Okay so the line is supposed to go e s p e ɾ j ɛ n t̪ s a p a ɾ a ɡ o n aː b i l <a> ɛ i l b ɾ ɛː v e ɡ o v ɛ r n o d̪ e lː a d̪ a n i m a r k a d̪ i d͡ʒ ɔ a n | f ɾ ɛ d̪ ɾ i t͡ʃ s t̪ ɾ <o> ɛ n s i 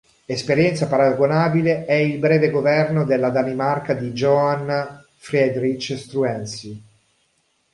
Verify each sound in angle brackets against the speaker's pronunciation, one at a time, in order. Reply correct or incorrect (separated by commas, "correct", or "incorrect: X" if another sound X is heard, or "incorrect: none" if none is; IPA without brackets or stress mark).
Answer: incorrect: e, incorrect: u